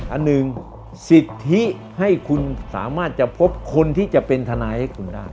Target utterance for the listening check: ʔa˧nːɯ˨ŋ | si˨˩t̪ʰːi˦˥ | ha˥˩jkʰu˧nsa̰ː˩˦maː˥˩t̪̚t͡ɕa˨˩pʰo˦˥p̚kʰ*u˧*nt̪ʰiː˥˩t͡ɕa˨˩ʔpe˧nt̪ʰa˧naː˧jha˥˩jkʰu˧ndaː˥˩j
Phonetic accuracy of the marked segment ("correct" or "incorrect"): incorrect